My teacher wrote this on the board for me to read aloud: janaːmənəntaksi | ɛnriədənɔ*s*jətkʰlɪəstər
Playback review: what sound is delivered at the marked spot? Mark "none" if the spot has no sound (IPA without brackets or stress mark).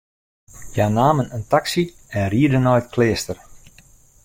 none